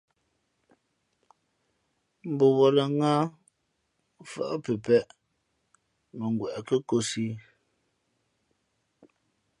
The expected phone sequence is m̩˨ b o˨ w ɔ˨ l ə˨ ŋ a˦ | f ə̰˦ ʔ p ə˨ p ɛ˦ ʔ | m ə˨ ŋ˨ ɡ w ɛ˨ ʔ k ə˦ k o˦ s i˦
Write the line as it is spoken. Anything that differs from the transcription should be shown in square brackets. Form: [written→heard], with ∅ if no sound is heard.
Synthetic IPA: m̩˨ b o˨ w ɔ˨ l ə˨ ŋ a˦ | f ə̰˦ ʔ p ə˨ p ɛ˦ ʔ | m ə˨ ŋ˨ ɡ w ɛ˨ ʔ k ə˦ k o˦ s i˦